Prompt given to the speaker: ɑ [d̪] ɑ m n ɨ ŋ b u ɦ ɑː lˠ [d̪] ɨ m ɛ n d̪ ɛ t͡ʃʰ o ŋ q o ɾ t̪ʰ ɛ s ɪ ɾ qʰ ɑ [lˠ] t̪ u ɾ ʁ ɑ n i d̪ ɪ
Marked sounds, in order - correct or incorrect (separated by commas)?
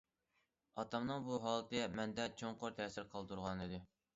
incorrect, incorrect, correct